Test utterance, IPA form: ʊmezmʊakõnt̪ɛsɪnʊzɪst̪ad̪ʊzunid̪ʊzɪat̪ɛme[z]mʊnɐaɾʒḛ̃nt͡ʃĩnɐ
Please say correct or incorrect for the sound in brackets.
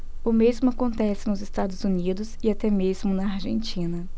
correct